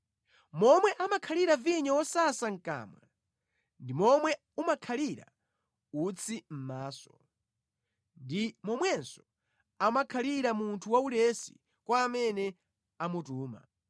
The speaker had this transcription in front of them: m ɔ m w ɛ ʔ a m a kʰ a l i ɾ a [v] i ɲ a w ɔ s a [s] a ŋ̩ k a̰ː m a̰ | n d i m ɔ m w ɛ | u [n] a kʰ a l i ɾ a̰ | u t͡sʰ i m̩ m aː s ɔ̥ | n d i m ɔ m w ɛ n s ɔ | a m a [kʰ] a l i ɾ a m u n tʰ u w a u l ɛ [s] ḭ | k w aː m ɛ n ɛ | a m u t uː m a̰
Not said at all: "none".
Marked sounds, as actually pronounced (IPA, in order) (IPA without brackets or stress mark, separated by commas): v, s, m, kʰ, s